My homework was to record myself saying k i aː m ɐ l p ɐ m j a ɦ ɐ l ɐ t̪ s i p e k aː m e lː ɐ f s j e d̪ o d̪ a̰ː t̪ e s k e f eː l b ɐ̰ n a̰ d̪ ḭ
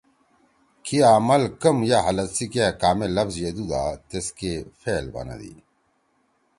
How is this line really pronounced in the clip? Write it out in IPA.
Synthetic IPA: k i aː m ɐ l k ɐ m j a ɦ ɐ l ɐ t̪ s i k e k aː m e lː ɐ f z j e d̪ u d̪ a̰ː t̪ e s k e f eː l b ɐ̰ n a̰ d̪ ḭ